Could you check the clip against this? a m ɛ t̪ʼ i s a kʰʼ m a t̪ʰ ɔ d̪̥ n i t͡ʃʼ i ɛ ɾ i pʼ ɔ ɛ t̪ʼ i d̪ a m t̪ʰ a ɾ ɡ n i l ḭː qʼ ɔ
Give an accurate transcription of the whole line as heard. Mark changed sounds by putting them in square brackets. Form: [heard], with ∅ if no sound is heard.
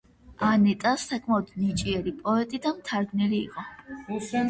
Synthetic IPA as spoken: a [n] ɛ t̪ʼ [a] s a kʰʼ m a [∅] ɔ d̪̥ n i t͡ʃʼ i ɛ ɾ i pʼ ɔ ɛ t̪ʼ i d̪ a m t̪ʰ a ɾ ɡ n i l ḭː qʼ ɔ